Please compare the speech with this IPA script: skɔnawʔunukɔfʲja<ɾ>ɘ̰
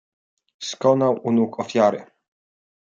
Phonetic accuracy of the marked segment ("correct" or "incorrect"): correct